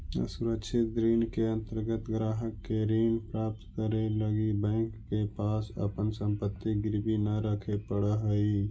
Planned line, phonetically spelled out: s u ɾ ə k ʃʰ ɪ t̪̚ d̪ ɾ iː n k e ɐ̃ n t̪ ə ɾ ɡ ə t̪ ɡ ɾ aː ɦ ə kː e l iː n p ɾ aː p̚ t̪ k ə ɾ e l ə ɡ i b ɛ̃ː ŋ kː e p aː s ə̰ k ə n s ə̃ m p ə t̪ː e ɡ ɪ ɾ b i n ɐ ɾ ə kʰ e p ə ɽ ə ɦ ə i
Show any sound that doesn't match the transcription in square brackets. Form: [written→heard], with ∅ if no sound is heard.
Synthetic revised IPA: s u ɾ ə k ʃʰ ɪ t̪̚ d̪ ɾ iː n k e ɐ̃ n t̪ ə ɾ ɡ ə t̪ ɡ ɾ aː ɦ ə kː e [l→ɾ] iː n p ɾ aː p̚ t̪ k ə ɾ e l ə ɡ i b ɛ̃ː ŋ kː e p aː s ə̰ [k→p] ə n s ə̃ m p ə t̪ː [e→i] ɡ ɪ ɾ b i n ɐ ɾ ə kʰ e p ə ɽ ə ɦ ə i